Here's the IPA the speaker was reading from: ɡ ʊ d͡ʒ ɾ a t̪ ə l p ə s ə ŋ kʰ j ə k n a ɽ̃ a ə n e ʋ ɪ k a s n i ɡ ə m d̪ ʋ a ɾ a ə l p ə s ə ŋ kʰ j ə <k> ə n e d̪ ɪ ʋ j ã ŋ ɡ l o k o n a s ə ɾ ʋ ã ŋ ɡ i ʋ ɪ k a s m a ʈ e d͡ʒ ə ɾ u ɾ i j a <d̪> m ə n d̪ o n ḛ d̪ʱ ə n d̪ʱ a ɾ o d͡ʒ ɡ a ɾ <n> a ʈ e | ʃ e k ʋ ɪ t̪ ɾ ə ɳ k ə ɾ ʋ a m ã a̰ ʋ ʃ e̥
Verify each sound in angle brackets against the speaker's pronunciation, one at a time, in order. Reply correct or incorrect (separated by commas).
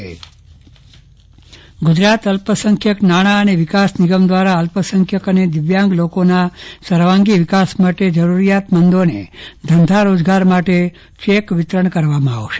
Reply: correct, incorrect, incorrect